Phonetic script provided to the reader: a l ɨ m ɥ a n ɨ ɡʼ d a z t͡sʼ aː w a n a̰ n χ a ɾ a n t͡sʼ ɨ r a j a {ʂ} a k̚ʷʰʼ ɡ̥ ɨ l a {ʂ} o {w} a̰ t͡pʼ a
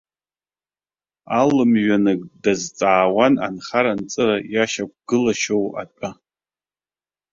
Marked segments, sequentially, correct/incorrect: incorrect, incorrect, correct

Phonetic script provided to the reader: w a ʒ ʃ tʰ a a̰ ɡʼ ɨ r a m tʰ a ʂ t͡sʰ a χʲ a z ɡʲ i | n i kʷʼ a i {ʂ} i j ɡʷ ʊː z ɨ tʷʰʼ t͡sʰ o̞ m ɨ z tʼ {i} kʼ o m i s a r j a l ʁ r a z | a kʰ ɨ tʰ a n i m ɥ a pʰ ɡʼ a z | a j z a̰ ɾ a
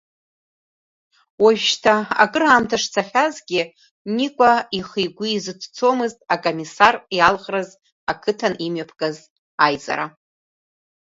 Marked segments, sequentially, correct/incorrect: incorrect, incorrect

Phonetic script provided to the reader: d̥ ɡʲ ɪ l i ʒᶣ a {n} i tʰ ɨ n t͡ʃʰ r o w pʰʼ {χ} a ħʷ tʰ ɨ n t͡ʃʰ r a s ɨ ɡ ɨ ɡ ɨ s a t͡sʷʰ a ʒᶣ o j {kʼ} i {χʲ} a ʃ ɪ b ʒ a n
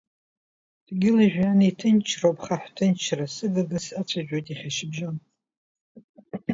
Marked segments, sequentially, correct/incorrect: correct, correct, incorrect, correct

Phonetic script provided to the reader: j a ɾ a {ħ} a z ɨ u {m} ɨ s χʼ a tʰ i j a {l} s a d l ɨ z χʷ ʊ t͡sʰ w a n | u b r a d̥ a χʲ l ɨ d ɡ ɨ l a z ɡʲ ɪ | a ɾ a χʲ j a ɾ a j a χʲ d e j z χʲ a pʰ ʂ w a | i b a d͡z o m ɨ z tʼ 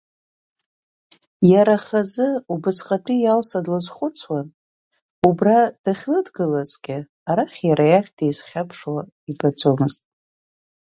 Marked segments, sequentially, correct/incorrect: incorrect, incorrect, correct

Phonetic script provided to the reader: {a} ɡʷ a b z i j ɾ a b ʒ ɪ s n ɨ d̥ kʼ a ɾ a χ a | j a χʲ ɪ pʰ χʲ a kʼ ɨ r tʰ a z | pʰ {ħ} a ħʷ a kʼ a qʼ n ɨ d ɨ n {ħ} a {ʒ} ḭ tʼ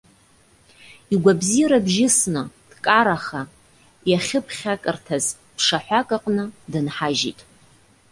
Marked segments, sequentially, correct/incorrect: incorrect, incorrect, correct, correct

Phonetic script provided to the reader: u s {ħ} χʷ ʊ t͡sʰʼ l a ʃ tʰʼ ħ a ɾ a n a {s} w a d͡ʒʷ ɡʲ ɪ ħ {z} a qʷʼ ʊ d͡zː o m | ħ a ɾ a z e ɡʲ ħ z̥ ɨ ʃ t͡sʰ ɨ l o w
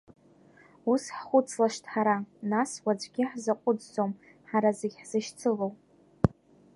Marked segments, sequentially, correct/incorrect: correct, correct, correct

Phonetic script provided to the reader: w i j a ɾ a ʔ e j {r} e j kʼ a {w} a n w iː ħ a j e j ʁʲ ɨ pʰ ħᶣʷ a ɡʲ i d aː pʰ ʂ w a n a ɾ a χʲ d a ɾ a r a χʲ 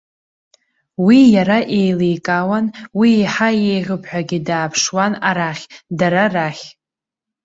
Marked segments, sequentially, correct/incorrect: incorrect, correct

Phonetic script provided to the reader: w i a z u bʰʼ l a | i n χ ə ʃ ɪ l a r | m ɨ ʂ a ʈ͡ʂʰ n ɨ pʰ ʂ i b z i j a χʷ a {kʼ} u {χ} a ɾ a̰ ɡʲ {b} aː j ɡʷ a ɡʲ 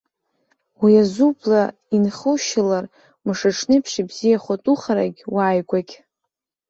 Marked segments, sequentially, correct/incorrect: incorrect, correct, incorrect

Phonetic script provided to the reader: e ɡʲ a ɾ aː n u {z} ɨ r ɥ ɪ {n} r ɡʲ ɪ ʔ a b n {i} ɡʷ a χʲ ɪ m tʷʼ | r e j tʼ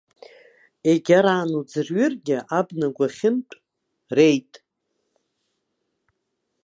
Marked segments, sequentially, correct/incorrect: incorrect, incorrect, incorrect

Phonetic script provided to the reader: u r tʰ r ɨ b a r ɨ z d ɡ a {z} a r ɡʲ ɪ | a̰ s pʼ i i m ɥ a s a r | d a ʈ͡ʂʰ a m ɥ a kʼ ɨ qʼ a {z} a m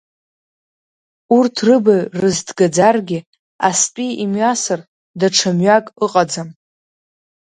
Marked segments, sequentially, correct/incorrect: incorrect, incorrect

